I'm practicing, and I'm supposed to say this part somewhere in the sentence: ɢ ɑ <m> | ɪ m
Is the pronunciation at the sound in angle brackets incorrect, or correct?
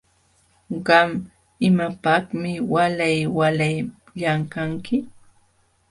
correct